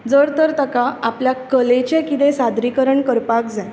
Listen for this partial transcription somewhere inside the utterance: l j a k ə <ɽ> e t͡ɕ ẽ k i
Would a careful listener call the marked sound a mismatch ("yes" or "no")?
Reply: yes